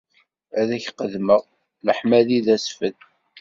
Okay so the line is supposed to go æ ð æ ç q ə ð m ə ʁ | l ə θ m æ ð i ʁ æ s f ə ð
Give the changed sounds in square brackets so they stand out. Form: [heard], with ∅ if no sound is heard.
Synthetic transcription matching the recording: æ ð æ ç q ə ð m ə ʁ | l ə [ħ] m æ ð i [ð] æ s f ə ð